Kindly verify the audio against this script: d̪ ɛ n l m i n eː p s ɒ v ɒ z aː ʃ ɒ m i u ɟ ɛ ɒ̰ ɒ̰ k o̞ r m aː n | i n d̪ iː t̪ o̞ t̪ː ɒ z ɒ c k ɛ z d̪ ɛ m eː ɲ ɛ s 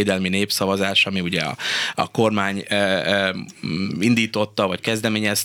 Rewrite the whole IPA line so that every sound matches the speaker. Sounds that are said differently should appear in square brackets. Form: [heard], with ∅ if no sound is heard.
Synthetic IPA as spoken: d̪ ɛ [∅] l m i n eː p s ɒ v ɒ z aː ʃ ɒ m i u ɟ ɛ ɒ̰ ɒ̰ k o̞ r m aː [ɲ] | i n d̪ iː t̪ o̞ t̪ː ɒ [v] ɒ c k ɛ z d̪ ɛ m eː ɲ ɛ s